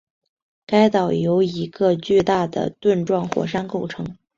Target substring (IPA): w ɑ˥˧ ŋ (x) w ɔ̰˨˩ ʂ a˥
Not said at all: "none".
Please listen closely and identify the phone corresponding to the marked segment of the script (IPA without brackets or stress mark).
x